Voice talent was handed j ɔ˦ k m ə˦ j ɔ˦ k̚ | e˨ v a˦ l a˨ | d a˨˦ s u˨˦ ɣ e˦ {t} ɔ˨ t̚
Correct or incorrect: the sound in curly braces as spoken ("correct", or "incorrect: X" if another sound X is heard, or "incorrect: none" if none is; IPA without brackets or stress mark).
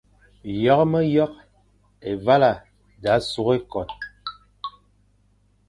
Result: incorrect: k